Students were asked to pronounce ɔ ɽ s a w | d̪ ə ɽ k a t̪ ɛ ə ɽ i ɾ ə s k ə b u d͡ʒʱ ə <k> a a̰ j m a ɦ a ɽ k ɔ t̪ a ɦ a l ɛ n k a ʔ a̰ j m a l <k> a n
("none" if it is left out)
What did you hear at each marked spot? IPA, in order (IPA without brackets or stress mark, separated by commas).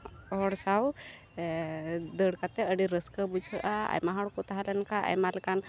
ʔ, k